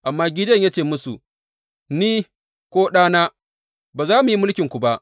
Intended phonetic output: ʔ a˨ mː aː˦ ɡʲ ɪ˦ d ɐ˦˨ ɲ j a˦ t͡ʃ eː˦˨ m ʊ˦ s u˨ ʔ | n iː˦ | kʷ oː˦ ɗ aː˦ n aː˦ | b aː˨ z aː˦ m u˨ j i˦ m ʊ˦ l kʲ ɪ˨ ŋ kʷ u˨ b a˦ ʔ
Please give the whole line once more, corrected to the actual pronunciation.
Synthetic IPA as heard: ʔ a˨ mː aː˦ ɡʲ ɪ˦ d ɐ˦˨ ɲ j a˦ t͡ʃ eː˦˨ m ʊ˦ s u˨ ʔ | n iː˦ | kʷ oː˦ ɗ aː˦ n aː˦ | b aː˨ z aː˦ m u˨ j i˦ m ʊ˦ l kʲ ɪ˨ ŋ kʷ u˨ b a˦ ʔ